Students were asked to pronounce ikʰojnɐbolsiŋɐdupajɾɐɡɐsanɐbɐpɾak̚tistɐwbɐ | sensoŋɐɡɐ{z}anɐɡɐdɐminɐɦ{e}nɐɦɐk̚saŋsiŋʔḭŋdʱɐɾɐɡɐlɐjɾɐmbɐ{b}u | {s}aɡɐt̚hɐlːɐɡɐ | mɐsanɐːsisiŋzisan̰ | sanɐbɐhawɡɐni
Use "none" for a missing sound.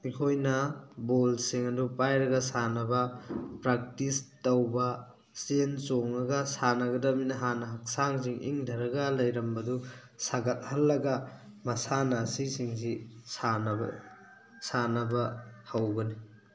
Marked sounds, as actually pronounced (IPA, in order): s, a, d, s

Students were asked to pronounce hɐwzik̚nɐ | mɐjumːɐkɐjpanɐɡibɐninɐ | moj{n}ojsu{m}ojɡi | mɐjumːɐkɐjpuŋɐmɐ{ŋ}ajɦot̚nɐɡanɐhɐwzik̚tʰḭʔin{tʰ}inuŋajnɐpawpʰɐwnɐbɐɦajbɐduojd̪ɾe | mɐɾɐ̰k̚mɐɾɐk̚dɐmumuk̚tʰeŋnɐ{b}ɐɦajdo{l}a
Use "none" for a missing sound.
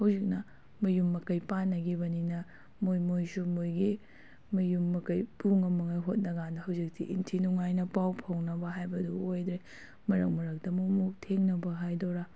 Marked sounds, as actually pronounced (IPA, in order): m, m, ŋ, tʰ, b, ɾ

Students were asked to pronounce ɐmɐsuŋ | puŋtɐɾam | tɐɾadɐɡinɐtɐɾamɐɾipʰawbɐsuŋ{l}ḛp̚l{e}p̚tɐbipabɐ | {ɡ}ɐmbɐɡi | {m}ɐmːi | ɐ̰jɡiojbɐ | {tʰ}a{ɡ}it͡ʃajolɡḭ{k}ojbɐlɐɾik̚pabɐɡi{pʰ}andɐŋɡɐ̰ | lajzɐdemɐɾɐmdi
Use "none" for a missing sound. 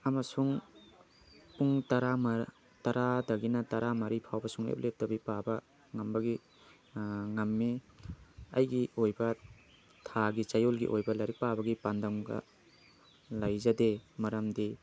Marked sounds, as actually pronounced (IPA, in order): l, e, ŋ, ŋ, tʰ, ɡ, ʔ, p

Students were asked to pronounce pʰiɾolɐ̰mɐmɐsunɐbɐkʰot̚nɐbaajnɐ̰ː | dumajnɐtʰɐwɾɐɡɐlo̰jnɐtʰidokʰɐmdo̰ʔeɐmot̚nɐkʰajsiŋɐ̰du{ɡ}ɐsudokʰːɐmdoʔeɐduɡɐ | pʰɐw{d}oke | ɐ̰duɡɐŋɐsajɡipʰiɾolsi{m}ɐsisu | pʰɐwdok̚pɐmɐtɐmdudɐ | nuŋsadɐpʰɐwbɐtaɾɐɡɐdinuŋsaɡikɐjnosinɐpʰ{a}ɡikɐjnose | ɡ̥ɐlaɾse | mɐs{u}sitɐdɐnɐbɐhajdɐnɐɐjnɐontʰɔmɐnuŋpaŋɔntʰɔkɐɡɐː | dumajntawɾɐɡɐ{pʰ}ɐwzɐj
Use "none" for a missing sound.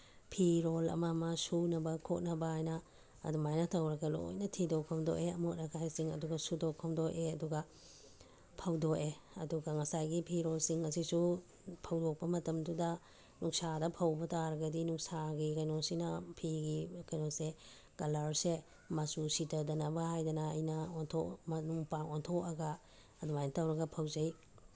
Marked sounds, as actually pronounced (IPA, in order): ɡ, d, ŋ, i, u, pʰ

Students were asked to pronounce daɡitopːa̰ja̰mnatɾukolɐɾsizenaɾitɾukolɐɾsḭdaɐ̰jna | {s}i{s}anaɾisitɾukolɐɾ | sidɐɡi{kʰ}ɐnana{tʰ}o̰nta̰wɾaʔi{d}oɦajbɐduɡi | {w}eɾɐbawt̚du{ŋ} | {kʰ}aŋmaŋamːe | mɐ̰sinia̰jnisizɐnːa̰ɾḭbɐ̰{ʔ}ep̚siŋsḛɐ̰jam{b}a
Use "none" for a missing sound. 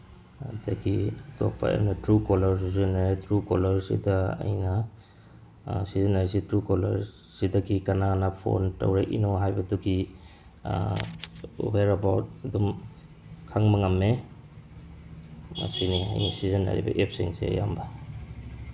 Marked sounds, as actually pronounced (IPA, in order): s, z, k, pʰ, n, w, m, kʰ, ʔ, b

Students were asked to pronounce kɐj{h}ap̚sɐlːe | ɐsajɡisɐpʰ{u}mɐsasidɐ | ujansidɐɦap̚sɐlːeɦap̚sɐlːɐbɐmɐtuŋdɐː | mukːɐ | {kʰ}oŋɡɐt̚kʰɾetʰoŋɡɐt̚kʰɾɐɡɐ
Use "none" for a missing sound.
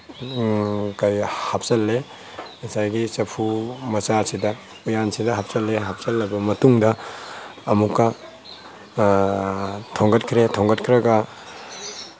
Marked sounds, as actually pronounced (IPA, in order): h, u, tʰ

